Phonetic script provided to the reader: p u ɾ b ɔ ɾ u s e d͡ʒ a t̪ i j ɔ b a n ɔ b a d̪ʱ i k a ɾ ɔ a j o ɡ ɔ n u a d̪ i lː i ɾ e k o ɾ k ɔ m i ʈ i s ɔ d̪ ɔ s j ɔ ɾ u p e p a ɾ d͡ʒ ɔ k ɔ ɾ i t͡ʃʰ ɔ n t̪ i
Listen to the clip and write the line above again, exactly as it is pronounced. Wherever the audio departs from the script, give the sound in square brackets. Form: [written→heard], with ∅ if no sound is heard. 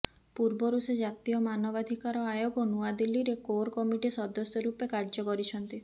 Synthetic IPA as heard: p u ɾ b ɔ ɾ u s e d͡ʒ a t̪ i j ɔ [b→m] a n ɔ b a d̪ʱ i k a ɾ ɔ a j o ɡ ɔ n u a d̪ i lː i ɾ e k o ɾ k ɔ m i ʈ i s ɔ d̪ ɔ s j ɔ ɾ u p e [p→k] a ɾ d͡ʒ ɔ k ɔ ɾ i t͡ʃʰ ɔ n t̪ i